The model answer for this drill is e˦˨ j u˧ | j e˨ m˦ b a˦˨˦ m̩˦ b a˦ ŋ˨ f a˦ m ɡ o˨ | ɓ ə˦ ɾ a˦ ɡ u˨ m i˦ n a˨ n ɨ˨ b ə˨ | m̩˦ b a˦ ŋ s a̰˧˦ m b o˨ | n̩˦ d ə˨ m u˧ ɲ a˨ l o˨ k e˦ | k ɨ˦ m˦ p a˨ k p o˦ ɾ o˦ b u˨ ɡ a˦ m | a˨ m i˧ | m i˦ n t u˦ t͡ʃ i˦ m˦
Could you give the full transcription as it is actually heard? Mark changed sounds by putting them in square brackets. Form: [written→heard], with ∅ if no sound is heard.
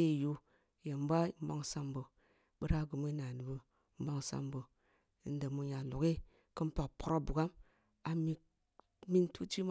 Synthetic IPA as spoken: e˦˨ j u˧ | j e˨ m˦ b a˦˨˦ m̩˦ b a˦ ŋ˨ [f→s] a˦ m [ɡ→b] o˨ | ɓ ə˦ ɾ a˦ ɡ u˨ m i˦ n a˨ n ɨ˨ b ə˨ | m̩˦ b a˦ ŋ s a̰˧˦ m b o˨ | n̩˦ d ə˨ m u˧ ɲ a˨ l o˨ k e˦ | k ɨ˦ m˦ p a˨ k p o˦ ɾ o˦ b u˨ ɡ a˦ m | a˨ m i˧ | m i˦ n t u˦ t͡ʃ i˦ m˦